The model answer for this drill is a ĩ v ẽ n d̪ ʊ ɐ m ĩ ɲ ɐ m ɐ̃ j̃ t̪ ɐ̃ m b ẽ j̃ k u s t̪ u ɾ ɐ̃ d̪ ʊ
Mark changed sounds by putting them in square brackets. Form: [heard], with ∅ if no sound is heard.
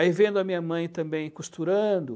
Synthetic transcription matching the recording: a [i] v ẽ n d̪ ʊ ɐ m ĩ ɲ ɐ m ɐ̃ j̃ t̪ ɐ̃ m b ẽ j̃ k u s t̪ u ɾ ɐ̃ d̪ ʊ